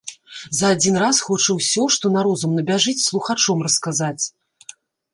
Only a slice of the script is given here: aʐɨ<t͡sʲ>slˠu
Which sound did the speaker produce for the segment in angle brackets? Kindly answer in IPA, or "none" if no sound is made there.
t͡sʲ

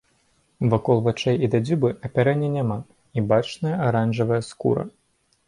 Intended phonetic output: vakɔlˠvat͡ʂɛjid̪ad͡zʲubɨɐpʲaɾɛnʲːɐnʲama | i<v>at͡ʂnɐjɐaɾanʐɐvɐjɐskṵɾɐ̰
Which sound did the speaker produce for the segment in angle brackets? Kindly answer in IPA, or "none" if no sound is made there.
b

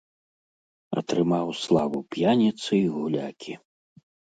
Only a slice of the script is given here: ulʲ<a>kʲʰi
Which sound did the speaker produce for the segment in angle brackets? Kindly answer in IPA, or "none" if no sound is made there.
a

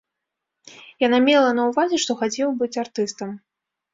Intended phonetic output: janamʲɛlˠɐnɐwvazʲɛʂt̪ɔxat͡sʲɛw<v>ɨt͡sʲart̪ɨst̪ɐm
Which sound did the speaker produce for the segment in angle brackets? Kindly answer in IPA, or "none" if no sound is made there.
b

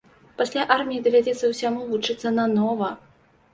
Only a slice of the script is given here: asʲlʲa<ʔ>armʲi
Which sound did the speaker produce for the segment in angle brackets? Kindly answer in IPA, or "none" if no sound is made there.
ʔ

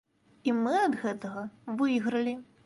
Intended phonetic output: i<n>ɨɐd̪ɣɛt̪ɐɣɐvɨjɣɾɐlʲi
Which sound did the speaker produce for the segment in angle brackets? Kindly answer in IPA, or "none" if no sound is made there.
m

